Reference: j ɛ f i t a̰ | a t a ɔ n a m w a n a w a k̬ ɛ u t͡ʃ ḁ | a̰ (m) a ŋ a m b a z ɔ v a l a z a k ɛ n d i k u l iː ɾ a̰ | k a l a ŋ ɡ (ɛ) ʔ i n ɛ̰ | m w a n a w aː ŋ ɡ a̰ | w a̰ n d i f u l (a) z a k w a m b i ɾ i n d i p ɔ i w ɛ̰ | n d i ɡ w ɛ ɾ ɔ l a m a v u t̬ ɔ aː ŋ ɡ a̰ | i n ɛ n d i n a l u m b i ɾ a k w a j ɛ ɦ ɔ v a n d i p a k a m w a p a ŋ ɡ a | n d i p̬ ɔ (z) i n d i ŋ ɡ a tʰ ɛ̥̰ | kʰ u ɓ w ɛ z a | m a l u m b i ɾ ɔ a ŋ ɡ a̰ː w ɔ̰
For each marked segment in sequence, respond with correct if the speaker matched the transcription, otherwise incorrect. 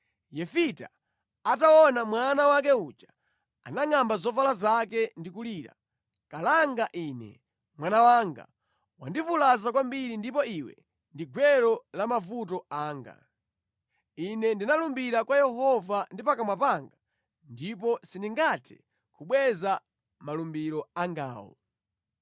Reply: incorrect: n, incorrect: a, correct, incorrect: s

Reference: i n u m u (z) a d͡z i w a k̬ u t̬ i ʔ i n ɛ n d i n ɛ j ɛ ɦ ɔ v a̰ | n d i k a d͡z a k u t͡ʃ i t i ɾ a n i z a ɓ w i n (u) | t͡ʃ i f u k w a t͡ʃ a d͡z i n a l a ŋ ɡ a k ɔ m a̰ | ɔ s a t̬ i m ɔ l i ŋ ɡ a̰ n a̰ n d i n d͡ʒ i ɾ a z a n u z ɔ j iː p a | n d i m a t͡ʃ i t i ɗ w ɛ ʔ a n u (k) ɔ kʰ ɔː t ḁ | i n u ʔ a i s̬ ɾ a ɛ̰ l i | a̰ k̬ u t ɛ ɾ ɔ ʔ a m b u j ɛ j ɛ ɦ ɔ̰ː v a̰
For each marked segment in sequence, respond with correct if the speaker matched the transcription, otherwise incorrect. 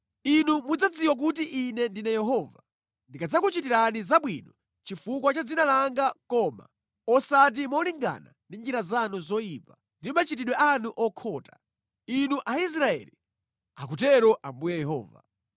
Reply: incorrect: d͡z, incorrect: ɔ, incorrect: ʔ

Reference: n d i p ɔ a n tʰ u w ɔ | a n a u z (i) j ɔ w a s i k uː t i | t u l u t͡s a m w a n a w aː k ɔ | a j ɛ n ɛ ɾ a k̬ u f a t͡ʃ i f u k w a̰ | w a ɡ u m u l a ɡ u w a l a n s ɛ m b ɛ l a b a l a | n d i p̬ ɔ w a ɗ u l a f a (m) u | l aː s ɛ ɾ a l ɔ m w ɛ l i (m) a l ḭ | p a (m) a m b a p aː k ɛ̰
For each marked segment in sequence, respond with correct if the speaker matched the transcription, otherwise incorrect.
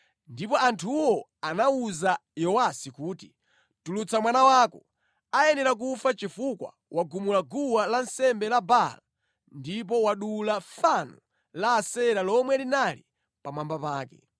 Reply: incorrect: a, incorrect: n, incorrect: n, correct

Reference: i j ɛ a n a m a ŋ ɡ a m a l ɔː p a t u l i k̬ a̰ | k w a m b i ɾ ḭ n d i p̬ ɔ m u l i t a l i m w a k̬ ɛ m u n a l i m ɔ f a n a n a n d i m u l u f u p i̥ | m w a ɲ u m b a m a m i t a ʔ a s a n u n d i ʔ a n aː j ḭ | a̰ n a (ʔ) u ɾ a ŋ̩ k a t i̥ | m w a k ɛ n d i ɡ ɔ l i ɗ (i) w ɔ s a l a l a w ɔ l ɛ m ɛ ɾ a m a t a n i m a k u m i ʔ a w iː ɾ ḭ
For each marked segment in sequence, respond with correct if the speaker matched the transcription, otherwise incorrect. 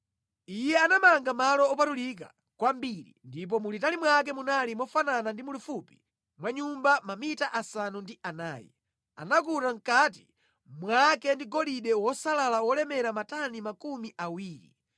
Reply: incorrect: k, incorrect: ɛ

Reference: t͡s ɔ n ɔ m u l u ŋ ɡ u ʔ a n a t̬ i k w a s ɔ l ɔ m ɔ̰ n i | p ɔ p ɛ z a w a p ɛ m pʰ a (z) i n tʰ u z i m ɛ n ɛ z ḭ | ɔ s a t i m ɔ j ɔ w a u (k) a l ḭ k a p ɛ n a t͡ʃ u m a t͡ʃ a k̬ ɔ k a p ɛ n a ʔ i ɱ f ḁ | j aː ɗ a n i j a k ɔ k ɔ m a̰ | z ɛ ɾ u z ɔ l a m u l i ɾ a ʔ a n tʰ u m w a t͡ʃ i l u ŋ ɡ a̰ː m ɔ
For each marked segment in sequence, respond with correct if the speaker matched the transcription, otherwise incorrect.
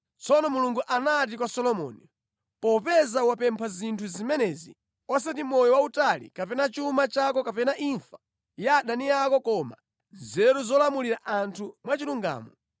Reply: correct, incorrect: t

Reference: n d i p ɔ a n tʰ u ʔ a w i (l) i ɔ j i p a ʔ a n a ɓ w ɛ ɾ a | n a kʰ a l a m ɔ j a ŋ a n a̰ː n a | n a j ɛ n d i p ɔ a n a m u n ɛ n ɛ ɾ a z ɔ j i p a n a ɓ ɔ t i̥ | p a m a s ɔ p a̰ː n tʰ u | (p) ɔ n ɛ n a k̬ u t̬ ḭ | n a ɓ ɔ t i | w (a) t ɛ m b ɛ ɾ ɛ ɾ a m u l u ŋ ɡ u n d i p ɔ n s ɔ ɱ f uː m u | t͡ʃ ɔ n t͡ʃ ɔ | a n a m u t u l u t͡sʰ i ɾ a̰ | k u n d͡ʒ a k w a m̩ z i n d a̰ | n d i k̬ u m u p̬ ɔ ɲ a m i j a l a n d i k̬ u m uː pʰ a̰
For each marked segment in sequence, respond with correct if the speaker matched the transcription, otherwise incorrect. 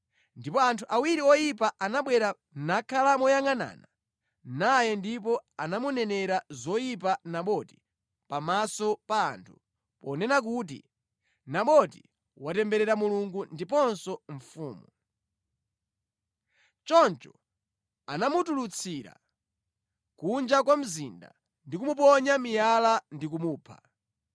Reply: incorrect: ɾ, correct, correct

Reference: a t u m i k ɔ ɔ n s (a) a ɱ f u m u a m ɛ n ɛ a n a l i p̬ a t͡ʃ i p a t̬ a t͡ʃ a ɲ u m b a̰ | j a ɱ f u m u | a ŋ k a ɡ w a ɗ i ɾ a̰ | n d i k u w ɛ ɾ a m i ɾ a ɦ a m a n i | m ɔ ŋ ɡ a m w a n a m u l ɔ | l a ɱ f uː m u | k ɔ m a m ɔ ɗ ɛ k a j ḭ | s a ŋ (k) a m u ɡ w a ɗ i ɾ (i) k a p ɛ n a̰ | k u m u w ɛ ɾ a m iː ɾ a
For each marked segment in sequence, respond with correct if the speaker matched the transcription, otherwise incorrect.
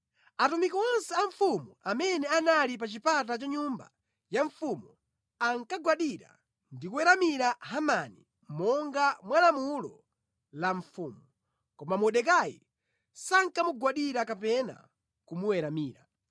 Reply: incorrect: ɛ, correct, incorrect: a

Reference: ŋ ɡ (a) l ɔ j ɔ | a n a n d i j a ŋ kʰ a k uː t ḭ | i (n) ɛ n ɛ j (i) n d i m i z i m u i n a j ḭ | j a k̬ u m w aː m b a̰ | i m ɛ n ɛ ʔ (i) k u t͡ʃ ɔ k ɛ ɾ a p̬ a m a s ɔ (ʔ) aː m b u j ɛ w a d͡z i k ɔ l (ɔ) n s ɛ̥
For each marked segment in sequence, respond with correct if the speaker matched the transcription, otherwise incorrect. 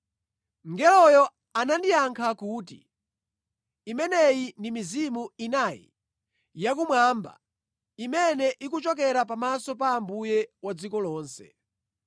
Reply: incorrect: ɛ, incorrect: m, correct, correct, incorrect: p, incorrect: ɔː

